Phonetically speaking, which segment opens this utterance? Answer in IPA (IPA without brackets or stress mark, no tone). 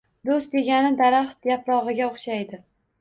d̪